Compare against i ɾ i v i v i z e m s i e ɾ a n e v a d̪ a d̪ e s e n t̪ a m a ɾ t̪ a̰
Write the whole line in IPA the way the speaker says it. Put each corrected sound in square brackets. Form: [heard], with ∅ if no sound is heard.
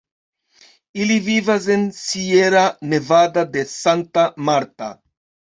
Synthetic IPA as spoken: i [l] i v i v [a] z e [n] s i e ɾ a n e v a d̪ a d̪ e s [a] n t̪ a m a ɾ t̪ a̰